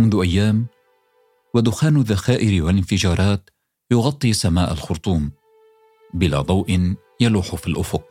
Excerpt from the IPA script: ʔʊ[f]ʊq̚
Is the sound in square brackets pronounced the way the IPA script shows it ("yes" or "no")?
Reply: yes